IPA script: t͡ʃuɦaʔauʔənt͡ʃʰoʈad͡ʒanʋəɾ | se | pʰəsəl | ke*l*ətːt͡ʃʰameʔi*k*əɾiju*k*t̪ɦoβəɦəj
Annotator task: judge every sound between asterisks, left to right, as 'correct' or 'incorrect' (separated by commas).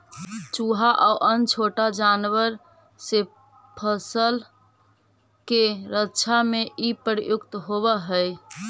incorrect, incorrect, correct